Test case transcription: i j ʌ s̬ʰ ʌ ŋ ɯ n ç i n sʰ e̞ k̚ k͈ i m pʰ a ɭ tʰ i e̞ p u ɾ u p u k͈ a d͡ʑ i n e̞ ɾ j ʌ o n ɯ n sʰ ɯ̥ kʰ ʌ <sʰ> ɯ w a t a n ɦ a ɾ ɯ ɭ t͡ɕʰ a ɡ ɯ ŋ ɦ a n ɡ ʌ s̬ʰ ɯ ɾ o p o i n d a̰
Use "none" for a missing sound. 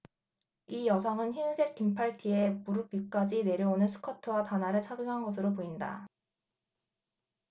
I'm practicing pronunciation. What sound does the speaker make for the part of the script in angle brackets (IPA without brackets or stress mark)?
tʰ